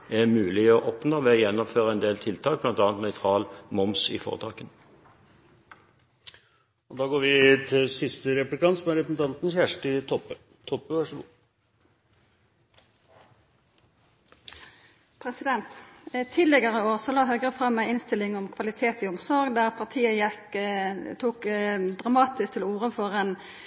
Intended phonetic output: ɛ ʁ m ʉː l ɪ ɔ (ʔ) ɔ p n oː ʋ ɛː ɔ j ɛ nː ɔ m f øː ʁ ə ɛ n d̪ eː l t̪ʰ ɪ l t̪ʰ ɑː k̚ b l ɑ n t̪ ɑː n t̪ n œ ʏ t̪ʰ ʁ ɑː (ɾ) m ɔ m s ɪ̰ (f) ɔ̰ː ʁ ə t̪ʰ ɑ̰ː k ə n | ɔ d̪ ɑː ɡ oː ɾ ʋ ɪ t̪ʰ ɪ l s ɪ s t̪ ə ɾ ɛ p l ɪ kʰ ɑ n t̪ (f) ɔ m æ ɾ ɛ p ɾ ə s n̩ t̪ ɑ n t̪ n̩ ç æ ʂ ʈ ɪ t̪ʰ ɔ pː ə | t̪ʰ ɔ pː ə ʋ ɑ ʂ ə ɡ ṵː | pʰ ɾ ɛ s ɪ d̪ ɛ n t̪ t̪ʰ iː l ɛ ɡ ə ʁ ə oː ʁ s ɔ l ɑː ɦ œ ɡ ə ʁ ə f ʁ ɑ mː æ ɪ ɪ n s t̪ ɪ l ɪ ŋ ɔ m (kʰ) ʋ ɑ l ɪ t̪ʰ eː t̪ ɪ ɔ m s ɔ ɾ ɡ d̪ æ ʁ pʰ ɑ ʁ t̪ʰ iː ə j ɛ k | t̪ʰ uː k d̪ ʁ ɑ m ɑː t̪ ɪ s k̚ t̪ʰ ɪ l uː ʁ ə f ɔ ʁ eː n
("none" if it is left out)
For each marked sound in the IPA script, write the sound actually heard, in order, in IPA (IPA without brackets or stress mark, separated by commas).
ʔ, l, f, s, kʰ